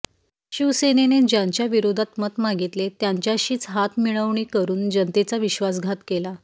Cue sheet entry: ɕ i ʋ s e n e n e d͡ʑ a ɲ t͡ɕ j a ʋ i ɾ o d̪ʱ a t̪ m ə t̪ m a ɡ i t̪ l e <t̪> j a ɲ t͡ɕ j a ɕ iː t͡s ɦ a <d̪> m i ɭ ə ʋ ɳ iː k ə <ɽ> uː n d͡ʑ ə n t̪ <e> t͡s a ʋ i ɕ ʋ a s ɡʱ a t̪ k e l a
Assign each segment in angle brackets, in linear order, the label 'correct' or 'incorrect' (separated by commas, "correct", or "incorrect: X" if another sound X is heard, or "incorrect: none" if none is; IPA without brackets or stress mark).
correct, incorrect: t̪, incorrect: ɾ, correct